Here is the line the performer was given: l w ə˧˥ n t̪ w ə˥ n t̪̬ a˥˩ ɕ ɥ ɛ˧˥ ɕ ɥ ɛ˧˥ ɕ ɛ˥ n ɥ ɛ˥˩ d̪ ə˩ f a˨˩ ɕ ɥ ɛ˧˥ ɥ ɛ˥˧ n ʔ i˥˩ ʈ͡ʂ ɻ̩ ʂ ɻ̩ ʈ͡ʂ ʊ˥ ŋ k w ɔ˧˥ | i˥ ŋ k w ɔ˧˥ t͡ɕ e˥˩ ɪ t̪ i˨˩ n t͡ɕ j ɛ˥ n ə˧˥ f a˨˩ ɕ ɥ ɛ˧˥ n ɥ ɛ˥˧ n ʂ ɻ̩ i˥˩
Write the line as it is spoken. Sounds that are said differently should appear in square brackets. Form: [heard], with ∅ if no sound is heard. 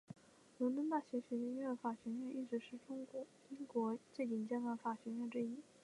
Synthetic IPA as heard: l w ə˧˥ n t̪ w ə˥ n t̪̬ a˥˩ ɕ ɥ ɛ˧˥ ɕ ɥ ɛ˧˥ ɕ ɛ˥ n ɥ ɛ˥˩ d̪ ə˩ f a˨˩ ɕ ɥ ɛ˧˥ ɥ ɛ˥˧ n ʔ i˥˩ ʈ͡ʂ ɻ̩ ʂ ɻ̩ ʈ͡ʂ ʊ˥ ŋ k w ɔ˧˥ | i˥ ŋ k w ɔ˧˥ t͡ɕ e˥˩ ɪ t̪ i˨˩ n t͡ɕ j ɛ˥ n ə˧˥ f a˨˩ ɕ ɥ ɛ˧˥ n ɥ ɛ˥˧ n [ʈ͡ʂ] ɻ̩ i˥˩